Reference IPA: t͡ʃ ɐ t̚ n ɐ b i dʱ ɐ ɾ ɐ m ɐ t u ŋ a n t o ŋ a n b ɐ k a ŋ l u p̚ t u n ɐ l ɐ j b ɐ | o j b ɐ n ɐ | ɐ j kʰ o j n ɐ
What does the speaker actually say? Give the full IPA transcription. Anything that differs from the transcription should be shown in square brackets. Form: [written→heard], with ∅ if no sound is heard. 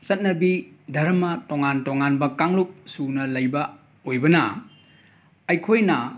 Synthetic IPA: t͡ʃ ɐ t̚ n ɐ b i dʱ ɐ ɾ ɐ m ɐ t [u→o] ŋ a n t o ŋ a n b ɐ k a ŋ l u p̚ [t→s] u n ɐ l ɐ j b ɐ | o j b ɐ n ɐ | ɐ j kʰ o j n ɐ